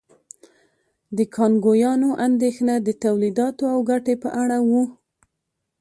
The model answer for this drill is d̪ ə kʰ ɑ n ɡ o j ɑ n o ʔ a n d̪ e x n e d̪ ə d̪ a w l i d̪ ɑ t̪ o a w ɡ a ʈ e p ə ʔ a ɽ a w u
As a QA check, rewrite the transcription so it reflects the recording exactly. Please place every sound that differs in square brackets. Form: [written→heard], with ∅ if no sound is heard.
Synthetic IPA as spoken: d̪ ə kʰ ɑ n ɡ o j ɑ n o ʔ a n d̪ e x n [e→a] d̪ ə [d̪→t̪] a w l i d̪ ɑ t̪ o a w ɡ a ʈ e p ə ʔ a ɽ a w u